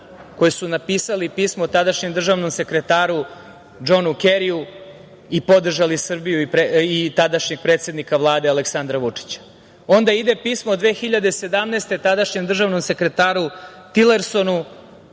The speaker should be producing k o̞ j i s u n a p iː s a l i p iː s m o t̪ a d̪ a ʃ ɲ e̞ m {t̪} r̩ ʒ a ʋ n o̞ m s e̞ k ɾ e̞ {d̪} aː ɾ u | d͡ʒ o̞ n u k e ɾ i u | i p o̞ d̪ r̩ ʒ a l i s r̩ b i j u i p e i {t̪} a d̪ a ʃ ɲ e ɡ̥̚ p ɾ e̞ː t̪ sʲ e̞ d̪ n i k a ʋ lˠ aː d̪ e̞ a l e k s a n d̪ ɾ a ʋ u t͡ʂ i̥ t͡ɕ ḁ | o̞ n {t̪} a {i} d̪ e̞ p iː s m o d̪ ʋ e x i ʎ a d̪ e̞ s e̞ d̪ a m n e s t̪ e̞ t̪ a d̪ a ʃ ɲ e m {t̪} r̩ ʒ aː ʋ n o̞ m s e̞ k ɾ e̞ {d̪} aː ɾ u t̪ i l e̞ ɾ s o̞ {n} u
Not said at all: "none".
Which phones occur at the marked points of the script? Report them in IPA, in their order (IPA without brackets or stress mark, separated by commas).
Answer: d̪, t̪, t̪, d̪, i, d̪, t̪, n